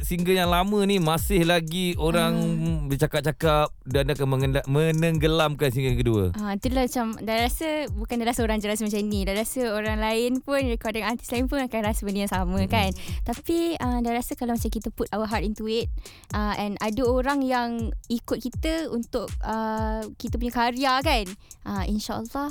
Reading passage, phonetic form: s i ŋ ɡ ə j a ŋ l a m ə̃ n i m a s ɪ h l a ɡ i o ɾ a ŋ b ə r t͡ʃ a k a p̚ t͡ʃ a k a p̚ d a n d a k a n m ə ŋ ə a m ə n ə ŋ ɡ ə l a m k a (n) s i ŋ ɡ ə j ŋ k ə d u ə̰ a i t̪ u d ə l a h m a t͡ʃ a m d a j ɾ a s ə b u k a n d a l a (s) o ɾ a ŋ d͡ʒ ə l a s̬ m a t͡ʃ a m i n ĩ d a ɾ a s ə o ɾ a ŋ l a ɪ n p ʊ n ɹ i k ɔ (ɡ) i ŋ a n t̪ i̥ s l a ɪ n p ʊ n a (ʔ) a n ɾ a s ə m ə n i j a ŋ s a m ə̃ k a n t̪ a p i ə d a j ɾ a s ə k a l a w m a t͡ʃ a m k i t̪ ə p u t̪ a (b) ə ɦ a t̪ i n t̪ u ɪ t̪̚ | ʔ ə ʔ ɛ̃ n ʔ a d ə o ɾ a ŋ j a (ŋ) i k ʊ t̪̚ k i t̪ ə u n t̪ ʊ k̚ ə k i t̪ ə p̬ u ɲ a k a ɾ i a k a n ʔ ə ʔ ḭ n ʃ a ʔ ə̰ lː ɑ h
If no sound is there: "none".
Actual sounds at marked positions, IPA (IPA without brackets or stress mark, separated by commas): n, s, d, k, w, ŋ